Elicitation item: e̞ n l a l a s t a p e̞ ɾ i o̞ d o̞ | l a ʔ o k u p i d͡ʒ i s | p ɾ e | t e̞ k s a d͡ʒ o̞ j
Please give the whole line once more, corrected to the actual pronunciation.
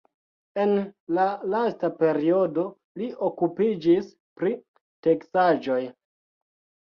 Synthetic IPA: e̞ n l a l a s t a p e̞ ɾ i o̞ d o̞ | l i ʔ o k u p i d͡ʒ i s | p ɾ i | t e̞ k s a d͡ʒ o̞ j